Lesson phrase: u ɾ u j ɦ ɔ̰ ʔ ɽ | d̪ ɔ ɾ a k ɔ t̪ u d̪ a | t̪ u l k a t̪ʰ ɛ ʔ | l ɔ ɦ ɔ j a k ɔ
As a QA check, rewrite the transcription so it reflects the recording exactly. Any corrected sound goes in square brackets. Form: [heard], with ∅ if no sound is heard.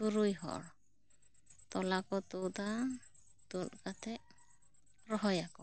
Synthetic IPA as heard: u ɾ u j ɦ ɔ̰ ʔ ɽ | [t̪] ɔ [l] a k ɔ t̪ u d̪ a | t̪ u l k a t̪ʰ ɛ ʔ | [ɾ] ɔ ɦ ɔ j a k ɔ